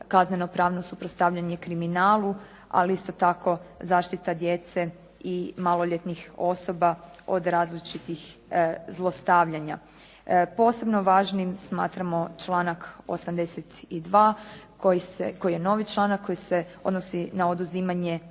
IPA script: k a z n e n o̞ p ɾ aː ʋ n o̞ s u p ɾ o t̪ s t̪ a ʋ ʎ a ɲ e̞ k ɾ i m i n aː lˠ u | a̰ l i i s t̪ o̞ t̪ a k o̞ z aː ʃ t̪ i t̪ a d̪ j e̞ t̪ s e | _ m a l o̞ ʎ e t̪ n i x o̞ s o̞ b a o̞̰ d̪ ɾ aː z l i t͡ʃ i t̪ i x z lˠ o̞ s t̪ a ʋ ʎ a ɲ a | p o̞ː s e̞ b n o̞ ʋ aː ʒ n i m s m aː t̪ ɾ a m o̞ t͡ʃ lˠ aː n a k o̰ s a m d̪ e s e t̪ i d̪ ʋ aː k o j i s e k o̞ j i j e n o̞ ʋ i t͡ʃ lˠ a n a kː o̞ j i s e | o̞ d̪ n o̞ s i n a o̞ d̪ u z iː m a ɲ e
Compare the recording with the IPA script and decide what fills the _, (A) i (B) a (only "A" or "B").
A